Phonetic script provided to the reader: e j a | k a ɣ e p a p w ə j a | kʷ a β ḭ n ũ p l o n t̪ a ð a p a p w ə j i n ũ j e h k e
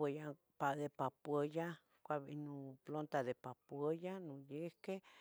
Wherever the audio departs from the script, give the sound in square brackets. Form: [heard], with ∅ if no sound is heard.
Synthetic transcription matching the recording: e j a | [p] a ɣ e p a p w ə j a | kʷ a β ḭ n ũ p l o n t̪ a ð [e] p a p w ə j [a] n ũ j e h k e